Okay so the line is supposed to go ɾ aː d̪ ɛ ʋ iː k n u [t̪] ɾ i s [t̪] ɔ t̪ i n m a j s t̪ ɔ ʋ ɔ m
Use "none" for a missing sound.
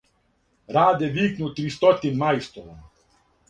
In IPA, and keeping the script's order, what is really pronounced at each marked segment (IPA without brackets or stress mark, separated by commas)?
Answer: t̪, t̪